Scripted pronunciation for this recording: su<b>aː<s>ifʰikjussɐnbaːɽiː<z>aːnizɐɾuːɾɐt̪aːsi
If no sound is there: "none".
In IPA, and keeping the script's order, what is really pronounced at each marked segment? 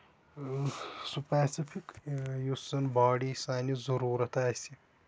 p, s, s

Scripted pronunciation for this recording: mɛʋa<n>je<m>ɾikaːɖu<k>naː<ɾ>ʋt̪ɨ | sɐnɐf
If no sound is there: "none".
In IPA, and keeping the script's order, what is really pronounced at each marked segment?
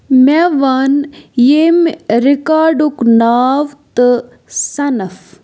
n, m, k, none

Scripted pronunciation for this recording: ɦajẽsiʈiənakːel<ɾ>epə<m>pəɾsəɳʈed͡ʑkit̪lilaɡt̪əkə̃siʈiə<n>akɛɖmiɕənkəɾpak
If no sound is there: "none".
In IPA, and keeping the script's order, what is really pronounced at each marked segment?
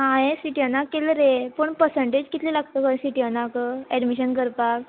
ɾ, ɳ, n

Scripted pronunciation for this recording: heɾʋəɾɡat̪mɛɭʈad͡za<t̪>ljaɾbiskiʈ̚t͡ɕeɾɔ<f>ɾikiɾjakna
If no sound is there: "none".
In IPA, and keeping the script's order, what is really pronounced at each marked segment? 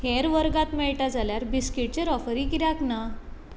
none, f

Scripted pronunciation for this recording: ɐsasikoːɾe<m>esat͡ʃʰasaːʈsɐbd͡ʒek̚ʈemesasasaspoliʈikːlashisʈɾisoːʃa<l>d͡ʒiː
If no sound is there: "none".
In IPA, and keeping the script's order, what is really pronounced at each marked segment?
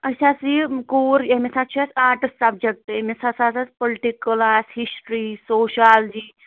m, l

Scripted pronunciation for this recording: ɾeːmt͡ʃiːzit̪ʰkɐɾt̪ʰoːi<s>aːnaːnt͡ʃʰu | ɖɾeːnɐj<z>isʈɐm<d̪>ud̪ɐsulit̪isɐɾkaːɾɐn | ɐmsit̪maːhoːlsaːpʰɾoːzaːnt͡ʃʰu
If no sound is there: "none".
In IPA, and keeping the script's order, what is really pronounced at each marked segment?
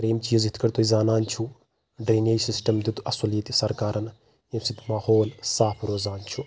z, s, d̪

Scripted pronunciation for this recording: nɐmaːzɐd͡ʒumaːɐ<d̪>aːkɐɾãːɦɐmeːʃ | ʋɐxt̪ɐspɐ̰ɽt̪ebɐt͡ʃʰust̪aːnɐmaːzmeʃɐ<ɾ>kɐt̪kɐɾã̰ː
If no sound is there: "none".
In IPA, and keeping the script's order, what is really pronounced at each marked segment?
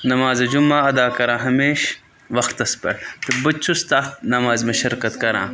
d̪, ɾ

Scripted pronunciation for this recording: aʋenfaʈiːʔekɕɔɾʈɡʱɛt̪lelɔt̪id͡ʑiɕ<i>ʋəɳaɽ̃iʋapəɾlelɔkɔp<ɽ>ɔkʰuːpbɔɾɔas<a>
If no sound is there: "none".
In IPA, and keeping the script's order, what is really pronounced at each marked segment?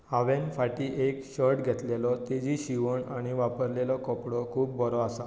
i, ɽ, a

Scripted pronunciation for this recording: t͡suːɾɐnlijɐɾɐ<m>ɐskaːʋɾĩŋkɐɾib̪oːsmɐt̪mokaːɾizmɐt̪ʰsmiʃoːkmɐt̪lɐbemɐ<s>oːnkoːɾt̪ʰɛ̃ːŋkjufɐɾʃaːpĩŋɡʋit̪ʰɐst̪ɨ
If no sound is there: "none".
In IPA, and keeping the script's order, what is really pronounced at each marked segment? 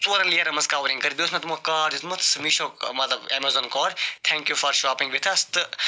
m, z

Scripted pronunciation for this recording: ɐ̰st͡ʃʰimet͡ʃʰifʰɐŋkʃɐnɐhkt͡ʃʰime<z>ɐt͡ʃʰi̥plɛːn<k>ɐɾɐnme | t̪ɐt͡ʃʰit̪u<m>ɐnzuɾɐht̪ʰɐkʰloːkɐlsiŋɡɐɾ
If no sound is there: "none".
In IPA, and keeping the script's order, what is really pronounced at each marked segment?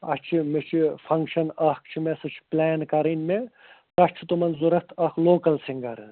s, k, m

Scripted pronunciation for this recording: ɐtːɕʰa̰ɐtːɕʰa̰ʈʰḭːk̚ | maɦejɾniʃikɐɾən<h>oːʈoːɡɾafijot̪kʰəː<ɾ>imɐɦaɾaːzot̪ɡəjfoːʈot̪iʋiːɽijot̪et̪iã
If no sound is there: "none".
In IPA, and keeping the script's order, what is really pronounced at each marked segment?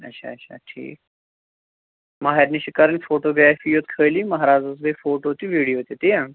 f, l

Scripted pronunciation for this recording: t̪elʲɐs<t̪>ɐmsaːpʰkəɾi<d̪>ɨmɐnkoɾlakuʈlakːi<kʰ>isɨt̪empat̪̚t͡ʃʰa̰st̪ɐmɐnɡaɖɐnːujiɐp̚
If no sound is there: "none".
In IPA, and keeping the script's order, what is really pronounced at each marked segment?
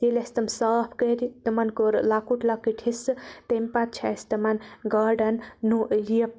t̪, t̪, ʈʰ

